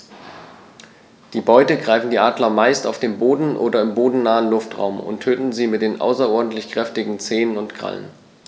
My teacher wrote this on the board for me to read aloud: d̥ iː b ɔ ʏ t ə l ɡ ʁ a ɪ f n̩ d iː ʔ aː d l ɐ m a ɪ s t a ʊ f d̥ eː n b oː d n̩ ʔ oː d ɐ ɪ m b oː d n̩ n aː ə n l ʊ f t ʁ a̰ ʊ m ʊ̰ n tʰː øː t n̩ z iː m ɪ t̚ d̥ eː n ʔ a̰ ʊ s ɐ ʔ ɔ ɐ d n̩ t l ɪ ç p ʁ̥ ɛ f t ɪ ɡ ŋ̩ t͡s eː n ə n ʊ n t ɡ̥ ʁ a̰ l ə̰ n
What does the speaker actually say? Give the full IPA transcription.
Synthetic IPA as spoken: d̥ iː b ɔ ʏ t ə ɡ ʁ a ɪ f n̩ d iː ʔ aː d l ɐ m a ɪ s t a ʊ f d̥ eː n b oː d n̩ ʔ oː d ɐ ɪ m b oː d n̩ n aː ə n l ʊ f t ʁ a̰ ʊ m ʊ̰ n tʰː øː t n̩ z iː m ɪ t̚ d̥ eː n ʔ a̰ ʊ s ɐ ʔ ɔ ɐ d n̩ t l ɪ ç k ʁ̥ ɛ f t ɪ ɡ ŋ̩ t͡s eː n ə n ʊ n t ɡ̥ ʁ a̰ l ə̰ n